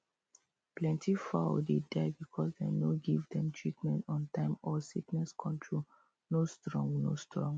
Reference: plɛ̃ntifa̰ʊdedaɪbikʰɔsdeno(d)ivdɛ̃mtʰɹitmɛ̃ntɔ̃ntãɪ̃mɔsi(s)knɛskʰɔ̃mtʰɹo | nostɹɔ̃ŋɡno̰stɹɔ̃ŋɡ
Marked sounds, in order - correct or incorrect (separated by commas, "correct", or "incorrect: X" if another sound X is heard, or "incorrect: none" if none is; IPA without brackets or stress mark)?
incorrect: ɡ, incorrect: none